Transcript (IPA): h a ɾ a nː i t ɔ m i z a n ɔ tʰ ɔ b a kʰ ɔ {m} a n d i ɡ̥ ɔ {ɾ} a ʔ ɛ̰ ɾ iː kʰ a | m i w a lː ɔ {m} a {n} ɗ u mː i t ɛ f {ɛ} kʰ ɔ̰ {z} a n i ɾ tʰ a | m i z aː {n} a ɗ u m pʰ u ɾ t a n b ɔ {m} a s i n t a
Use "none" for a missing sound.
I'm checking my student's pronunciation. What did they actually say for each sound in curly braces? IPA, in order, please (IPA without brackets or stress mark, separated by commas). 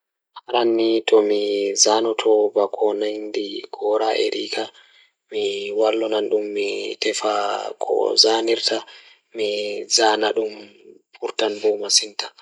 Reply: n, ɾ, n, n, a, z, n, m